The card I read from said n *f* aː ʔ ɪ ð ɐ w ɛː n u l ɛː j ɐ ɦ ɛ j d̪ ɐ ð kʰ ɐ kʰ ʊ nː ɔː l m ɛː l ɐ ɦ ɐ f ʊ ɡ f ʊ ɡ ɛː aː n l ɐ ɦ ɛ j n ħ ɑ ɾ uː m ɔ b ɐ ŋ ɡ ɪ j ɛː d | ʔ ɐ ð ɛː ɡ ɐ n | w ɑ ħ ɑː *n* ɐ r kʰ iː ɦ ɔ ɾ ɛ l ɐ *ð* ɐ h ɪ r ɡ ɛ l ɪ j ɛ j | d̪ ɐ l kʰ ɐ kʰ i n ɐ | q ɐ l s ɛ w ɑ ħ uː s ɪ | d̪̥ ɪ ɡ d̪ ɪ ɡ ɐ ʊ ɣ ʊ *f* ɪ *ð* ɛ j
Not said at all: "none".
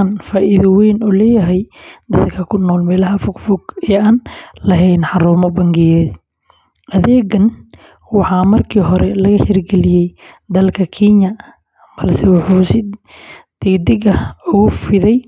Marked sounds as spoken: f, m, ɣ, f, ð

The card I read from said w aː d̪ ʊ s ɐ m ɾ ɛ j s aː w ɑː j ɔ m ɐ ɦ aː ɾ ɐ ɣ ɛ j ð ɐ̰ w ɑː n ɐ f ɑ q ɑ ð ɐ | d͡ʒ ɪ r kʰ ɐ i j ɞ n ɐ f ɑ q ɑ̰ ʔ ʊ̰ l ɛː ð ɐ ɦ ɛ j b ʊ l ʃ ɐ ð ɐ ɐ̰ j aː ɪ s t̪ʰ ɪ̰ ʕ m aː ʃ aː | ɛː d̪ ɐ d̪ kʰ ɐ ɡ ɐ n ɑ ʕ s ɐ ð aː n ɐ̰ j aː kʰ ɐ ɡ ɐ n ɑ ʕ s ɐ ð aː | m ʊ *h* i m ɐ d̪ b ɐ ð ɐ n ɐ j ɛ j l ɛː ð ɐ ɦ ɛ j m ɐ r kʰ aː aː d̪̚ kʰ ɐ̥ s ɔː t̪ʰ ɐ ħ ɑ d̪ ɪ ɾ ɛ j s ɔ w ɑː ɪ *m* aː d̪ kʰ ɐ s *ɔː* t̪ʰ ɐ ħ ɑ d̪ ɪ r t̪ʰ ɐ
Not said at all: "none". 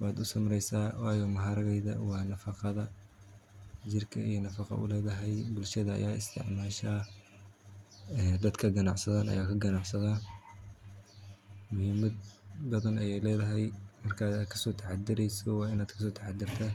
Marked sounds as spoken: h, n, ɔː

